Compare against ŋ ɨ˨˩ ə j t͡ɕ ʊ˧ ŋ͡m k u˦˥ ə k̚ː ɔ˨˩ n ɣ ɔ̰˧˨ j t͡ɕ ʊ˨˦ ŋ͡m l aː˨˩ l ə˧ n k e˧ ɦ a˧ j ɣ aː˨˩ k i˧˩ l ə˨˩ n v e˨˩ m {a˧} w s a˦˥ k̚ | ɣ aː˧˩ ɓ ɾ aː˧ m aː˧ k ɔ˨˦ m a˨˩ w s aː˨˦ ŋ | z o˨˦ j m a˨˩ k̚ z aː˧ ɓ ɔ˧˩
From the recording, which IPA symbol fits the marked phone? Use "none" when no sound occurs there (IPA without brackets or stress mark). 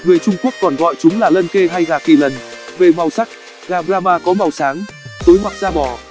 a˨˩